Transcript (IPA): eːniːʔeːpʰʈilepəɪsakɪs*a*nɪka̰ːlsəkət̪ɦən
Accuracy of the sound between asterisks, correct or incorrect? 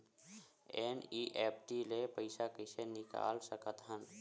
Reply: incorrect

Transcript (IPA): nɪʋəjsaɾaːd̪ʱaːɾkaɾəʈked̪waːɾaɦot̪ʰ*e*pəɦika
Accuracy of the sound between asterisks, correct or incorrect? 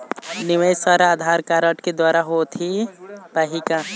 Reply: incorrect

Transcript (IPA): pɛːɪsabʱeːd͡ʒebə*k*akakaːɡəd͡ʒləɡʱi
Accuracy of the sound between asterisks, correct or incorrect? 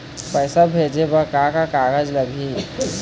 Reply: correct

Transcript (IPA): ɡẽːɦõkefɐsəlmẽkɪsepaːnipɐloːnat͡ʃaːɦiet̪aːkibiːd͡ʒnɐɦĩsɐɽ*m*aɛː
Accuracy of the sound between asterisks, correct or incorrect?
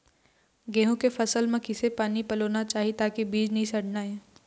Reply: incorrect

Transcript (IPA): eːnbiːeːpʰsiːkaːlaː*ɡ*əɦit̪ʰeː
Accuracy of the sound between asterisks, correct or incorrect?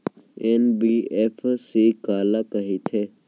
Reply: incorrect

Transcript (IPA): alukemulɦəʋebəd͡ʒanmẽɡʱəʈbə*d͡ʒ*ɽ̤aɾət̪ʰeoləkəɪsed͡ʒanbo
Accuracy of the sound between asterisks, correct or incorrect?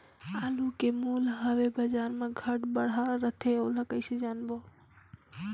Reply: incorrect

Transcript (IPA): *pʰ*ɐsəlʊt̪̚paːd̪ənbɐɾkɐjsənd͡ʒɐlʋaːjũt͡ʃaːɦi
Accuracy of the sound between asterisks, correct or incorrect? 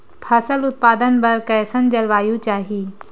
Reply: correct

